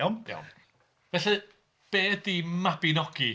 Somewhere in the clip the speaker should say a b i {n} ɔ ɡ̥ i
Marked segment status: correct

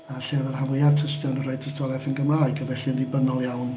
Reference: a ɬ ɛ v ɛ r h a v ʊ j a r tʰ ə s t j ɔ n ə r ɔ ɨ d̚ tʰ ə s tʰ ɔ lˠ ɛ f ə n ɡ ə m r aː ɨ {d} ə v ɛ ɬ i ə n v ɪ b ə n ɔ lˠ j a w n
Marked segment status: incorrect: ɡ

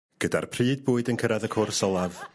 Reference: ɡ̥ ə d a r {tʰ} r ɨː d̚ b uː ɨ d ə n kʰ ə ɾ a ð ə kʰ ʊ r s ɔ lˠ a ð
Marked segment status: incorrect: pʰ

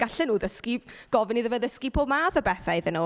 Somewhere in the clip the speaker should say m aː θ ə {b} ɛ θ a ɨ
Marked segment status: correct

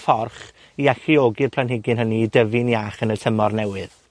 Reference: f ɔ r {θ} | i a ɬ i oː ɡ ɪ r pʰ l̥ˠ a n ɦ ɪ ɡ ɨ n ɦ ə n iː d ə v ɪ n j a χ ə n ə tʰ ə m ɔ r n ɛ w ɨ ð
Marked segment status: incorrect: χ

